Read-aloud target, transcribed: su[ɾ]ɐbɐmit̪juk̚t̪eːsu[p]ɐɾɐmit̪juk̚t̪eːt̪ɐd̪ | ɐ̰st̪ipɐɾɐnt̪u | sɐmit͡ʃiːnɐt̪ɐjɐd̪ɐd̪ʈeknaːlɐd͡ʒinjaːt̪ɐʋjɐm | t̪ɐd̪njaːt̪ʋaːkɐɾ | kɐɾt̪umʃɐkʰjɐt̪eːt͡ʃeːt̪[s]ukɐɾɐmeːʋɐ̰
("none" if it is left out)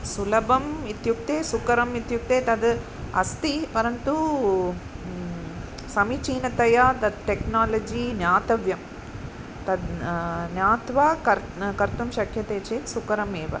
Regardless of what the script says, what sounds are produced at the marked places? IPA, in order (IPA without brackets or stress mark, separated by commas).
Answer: l, k, s